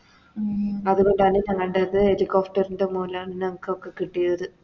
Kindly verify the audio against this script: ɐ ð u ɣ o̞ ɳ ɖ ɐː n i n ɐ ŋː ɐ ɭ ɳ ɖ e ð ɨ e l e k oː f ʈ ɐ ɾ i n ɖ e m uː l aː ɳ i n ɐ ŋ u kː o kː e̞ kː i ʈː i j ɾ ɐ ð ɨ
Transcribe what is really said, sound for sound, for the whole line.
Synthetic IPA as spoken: ɐ ð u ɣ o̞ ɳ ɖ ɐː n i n ɐ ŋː ɐ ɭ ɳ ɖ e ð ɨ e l i k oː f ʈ ɐ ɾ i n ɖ e m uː l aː ɳ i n ɐ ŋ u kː o kː e̞ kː i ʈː i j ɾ ɐ ð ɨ